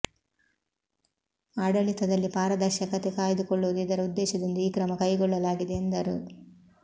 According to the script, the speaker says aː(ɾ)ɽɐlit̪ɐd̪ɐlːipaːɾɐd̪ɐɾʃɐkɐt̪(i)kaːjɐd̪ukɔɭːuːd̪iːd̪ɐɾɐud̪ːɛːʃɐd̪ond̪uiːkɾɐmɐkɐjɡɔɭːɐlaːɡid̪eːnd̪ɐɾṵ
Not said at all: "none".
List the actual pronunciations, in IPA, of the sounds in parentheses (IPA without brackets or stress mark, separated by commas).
none, e